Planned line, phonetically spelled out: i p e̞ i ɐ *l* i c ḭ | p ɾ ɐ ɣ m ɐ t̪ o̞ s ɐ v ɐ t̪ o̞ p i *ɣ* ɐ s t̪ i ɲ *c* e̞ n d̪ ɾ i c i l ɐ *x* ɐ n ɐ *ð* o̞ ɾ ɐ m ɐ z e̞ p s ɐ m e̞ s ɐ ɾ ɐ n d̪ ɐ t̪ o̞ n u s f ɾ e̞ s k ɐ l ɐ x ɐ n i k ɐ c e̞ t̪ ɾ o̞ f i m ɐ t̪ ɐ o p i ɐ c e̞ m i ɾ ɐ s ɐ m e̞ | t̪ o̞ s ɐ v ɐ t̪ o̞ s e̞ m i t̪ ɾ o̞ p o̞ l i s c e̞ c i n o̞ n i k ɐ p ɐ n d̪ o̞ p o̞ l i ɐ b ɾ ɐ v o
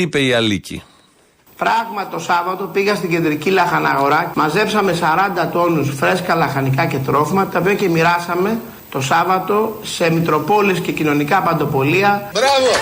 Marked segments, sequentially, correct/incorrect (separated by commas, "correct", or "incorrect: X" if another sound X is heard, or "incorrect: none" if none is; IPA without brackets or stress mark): correct, correct, incorrect: ɟ, correct, incorrect: ɣ